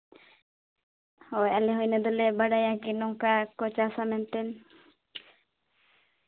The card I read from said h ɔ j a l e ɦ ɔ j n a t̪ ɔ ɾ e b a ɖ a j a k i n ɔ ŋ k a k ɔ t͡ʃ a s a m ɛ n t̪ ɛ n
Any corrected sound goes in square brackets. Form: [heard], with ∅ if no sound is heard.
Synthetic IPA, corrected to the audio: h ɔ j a l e ɦ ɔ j n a [d̪] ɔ [l] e b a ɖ a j a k i n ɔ ŋ k a k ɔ t͡ʃ a s a m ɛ n t̪ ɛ n